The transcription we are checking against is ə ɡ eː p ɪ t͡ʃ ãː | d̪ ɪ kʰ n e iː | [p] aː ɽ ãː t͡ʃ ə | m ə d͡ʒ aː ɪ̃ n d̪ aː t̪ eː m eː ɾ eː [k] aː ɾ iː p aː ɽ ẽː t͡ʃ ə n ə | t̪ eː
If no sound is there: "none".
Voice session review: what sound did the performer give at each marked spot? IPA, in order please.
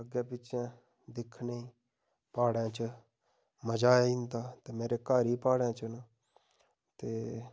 p, k

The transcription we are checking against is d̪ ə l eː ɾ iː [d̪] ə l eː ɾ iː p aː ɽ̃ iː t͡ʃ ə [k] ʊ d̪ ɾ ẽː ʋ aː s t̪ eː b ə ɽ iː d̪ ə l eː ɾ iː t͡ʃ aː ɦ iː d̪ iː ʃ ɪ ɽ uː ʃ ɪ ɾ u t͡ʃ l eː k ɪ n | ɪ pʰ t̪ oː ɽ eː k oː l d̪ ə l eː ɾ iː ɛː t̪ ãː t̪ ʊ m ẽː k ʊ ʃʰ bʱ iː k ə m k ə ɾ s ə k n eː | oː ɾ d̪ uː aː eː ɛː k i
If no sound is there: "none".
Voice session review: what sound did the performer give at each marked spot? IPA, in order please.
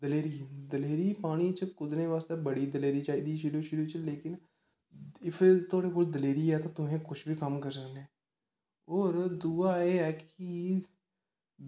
d̪, k

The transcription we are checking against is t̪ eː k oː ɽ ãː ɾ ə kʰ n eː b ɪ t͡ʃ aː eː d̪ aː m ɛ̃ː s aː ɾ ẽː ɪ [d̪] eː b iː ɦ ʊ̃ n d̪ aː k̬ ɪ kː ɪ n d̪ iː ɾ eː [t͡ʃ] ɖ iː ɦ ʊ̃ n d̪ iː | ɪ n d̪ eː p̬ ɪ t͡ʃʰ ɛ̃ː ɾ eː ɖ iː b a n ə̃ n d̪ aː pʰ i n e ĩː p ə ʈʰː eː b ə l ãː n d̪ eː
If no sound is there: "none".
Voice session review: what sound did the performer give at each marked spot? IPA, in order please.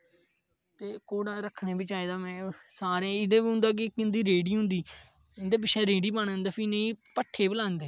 d̪, none

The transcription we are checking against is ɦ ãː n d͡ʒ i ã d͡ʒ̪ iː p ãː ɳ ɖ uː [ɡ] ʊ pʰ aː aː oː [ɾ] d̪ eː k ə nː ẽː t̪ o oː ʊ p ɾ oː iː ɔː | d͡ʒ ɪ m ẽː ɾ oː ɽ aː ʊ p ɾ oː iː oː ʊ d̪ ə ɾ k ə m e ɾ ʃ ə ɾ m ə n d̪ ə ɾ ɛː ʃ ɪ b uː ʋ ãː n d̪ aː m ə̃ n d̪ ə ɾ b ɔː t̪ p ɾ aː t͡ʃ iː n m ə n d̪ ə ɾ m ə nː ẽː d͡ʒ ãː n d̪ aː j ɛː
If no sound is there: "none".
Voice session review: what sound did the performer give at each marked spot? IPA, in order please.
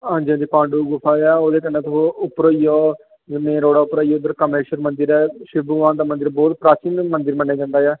ɡ, none

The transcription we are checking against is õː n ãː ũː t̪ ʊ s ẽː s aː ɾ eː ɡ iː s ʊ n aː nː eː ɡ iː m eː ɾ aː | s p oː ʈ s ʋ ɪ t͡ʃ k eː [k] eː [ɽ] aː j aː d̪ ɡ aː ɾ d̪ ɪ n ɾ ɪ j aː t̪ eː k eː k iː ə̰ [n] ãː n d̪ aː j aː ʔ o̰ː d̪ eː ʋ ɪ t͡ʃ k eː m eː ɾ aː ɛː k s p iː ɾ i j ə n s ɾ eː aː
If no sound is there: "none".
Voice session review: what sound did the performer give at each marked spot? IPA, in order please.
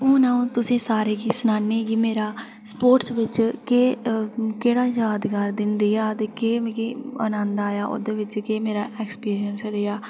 k, ɽ, n

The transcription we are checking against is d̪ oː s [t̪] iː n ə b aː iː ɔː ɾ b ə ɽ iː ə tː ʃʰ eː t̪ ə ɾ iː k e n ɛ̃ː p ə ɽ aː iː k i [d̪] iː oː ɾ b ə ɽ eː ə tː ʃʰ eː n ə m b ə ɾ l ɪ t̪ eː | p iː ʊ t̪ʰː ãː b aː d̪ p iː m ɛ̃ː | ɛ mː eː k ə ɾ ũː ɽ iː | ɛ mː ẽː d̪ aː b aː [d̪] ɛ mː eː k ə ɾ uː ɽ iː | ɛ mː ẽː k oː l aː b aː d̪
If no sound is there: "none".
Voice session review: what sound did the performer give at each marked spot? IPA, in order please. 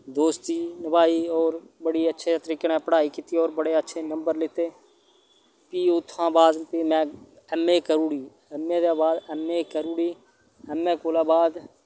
t̪, t̪, d̪

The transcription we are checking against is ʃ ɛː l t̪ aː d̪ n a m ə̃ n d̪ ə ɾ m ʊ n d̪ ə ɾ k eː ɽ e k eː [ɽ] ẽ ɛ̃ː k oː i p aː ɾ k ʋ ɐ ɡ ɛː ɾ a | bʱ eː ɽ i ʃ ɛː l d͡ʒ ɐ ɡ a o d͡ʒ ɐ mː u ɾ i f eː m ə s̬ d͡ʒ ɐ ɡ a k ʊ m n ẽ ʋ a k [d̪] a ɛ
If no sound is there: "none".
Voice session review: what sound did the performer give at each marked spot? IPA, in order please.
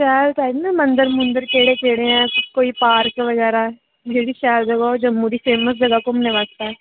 ɽ, t̪

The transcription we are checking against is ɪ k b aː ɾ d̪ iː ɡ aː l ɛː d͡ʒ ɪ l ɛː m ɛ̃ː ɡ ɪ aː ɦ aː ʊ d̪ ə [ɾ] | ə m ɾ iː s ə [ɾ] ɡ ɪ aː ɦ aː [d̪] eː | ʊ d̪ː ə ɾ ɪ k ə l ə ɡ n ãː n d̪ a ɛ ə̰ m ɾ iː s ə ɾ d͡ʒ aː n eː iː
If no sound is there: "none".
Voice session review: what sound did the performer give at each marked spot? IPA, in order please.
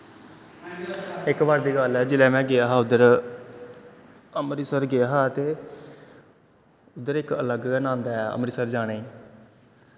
ɾ, ɾ, t̪

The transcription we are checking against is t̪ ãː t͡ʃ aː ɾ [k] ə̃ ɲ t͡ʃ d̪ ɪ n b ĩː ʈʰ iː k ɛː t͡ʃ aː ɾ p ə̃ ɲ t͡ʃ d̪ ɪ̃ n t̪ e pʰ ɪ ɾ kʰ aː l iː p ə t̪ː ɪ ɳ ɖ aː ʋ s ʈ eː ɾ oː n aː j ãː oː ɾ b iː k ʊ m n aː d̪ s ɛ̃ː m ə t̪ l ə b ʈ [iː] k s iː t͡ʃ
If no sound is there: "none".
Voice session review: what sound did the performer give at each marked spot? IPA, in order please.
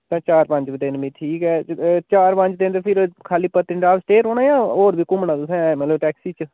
p, ɛː

